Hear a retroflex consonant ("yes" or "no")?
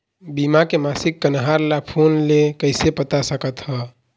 no